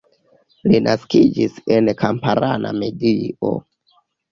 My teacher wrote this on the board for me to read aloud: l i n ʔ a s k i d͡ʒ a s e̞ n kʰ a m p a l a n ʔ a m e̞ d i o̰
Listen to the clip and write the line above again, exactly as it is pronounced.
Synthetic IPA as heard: l i n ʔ a s k i d͡ʒ i s e̞ n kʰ a m p a ɾ a n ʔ a m e̞ d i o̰